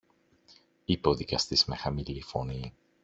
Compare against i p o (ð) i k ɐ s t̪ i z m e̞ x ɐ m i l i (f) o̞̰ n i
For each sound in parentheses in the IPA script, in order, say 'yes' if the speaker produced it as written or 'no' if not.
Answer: yes, yes

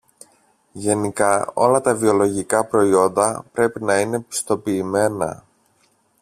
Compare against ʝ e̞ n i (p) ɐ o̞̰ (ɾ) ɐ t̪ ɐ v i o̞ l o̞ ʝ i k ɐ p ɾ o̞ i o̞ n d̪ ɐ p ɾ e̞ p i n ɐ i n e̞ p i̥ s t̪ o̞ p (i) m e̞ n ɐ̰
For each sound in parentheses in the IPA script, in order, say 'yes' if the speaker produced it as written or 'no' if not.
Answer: no, no, no

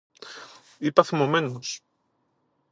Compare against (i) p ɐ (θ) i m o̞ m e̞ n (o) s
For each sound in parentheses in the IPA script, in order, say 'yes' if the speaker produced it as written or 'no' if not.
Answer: yes, yes, yes

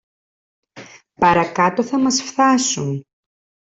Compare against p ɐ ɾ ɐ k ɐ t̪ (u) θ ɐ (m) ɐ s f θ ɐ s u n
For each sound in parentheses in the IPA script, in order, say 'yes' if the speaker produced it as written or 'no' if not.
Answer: no, yes

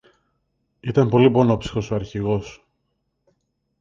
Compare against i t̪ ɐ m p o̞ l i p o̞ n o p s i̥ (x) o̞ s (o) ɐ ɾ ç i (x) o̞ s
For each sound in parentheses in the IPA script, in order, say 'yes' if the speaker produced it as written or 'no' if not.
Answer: yes, yes, no

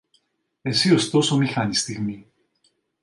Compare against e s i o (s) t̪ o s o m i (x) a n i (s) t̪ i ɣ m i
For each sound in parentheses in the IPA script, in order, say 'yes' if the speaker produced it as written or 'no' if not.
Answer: yes, yes, yes

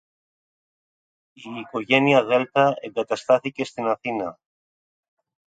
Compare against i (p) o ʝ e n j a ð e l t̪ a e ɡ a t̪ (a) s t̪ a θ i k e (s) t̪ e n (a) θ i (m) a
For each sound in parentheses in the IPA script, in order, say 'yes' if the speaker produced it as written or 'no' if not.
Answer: no, yes, yes, yes, no

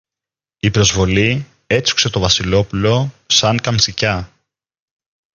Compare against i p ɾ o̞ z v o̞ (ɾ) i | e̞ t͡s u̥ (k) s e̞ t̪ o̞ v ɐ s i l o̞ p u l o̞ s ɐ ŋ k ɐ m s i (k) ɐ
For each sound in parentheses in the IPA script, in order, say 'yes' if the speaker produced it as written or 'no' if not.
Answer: no, yes, no

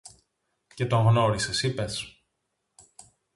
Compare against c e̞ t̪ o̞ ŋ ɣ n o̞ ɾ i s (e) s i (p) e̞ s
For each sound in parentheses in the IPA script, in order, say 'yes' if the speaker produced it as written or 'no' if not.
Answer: yes, yes

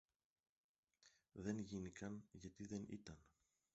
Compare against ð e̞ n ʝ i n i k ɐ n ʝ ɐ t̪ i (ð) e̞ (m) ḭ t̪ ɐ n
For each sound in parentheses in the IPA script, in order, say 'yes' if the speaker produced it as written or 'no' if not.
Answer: yes, no

